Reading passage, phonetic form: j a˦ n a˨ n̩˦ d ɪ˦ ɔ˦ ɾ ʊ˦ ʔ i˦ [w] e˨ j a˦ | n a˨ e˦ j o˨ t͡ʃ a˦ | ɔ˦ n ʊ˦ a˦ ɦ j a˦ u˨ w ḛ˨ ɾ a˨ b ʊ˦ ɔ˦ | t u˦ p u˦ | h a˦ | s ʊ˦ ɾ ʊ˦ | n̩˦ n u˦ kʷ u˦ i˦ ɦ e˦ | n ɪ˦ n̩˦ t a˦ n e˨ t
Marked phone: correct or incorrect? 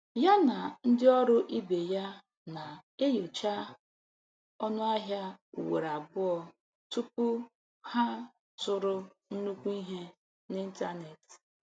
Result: incorrect